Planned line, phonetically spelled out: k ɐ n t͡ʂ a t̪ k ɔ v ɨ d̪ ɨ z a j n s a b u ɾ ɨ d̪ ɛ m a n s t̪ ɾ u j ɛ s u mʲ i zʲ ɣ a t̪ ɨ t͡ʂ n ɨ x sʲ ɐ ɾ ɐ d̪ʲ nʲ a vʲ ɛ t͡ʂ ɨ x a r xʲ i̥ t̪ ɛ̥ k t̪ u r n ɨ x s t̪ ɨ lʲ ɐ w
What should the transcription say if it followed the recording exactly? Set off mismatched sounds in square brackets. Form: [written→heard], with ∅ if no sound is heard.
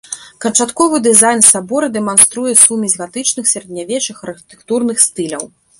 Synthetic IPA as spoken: k ɐ n t͡ʂ a t̪ k ɔ v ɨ d̪ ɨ z a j n s a b [u→ɔ] ɾ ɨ d̪ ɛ m a n s t̪ ɾ u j ɛ s u mʲ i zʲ ɣ a t̪ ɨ t͡ʂ n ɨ x sʲ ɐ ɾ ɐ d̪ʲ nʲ a vʲ ɛ t͡ʂ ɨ x [a→ɐ] r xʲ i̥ t̪ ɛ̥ k t̪ u r n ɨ x s t̪ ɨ lʲ ɐ w